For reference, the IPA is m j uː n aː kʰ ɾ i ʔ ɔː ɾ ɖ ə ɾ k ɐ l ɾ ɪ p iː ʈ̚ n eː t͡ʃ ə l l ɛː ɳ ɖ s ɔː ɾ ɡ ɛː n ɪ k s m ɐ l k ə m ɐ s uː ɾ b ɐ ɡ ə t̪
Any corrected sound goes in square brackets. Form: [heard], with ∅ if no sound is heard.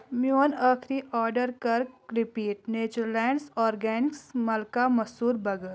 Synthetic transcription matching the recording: m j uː n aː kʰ ɾ i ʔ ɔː ɾ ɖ ə ɾ k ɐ [ɾ] ɾ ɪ p iː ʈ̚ n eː t͡ʃ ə [ɾ] l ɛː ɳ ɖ s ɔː ɾ ɡ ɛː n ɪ k s m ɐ l k [a] m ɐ s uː ɾ b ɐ ɡ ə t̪